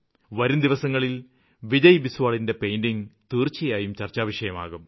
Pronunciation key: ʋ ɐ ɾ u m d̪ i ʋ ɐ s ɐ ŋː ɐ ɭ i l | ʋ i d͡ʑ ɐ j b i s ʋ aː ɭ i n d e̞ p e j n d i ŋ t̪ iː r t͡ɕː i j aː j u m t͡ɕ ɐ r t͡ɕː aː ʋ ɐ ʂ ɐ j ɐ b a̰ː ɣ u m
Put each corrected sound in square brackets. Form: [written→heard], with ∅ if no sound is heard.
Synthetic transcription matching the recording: ʋ ɐ ɾ u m d̪ i ʋ ɐ s ɐ ŋː ɐ ɭ i l | ʋ i d͡ʑ ɐ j b i s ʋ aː ɭ i n d e̞ p e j n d i ŋ t̪ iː r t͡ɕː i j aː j u m t͡ɕ ɐ r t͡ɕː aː ʋ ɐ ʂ ɐ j ɐ [b→m] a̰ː ɣ u m